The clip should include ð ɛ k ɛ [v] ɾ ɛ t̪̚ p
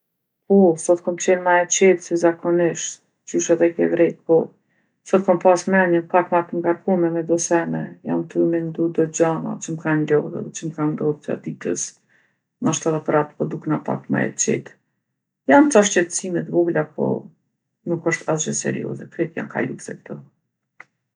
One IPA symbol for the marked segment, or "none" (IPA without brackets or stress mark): v